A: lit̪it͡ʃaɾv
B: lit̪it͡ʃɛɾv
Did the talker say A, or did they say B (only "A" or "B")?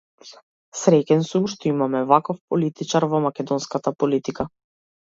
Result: A